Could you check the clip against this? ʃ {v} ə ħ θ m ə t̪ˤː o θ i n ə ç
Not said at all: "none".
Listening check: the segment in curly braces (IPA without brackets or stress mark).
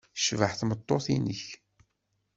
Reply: v